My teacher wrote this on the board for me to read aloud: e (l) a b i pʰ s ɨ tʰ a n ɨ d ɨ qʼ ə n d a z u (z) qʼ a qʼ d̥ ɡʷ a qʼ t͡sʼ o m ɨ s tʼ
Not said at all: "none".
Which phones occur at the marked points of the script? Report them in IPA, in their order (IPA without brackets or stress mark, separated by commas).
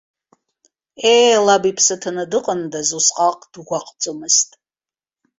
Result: l, s